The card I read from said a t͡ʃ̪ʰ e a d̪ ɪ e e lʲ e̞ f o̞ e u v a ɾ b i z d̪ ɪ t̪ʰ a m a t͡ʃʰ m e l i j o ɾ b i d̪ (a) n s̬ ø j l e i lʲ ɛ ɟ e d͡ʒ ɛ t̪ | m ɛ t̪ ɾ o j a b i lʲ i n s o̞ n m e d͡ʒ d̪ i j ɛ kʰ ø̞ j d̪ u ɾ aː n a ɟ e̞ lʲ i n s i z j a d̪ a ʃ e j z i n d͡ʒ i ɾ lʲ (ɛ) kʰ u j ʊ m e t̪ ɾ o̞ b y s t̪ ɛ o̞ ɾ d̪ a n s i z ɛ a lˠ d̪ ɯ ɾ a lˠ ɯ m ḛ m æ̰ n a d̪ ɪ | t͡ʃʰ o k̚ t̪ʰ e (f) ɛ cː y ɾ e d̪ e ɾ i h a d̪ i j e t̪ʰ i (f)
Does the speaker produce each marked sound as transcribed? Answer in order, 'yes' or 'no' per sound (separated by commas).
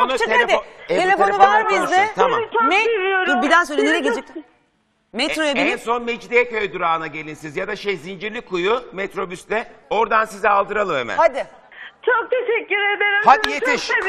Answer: no, no, no, no